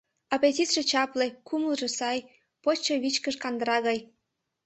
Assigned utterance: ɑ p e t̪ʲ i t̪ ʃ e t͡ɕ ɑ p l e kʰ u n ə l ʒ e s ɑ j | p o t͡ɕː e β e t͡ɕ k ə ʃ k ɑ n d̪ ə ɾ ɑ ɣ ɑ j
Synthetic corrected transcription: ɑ p e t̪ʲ i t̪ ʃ e t͡ɕ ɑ p l e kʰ u m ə l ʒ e s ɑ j | p o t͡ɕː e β i t͡ɕ k ə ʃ k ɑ n d̪ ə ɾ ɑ ɣ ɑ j